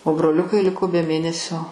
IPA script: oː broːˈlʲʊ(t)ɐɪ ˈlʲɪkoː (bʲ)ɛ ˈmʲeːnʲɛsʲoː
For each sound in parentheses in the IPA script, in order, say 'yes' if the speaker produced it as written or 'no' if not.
no, yes

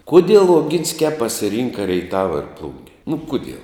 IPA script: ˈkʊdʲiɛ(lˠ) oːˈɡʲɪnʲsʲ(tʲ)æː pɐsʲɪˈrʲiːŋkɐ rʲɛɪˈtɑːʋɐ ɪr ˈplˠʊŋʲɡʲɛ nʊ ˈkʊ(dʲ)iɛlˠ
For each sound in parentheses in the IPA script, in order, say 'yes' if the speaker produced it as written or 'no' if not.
yes, no, yes

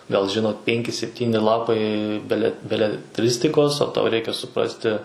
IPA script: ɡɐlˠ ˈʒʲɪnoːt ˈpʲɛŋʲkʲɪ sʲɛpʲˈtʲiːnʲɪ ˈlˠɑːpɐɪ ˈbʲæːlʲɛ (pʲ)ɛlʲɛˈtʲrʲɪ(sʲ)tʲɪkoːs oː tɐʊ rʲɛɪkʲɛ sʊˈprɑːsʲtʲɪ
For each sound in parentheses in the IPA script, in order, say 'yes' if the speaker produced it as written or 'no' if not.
no, yes

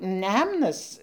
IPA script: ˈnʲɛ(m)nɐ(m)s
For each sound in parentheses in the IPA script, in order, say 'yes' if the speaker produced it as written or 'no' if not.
yes, no

